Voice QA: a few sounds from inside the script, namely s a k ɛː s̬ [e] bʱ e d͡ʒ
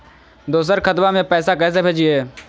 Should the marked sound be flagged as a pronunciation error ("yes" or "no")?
no